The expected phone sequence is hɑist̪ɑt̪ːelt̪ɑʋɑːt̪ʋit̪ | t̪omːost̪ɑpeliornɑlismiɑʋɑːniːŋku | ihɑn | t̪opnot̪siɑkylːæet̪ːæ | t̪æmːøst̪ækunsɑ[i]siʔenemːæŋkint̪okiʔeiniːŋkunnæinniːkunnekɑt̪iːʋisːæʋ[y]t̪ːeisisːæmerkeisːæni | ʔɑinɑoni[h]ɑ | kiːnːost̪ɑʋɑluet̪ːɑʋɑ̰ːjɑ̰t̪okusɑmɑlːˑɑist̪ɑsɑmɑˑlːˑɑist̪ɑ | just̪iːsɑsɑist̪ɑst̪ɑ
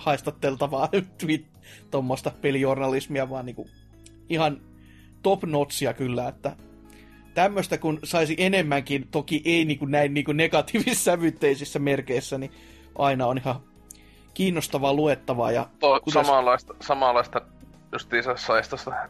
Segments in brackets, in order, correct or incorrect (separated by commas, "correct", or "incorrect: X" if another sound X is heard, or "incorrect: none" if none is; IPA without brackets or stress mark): correct, correct, correct